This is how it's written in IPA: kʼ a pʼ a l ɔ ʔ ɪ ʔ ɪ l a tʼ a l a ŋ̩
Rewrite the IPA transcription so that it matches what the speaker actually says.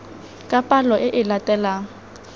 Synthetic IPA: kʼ a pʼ a l ɔ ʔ ɪ ʔ ɪ l a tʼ ɛ l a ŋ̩